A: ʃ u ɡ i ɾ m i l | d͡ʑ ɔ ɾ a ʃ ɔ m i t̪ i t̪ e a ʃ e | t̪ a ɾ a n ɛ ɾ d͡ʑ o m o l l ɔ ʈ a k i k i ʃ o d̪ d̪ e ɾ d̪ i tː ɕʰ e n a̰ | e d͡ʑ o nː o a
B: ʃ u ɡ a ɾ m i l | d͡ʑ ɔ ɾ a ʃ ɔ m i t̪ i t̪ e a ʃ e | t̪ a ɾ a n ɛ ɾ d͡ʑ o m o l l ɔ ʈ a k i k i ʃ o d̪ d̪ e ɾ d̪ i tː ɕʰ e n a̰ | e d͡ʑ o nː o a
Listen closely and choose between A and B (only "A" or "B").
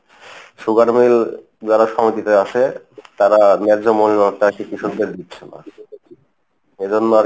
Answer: B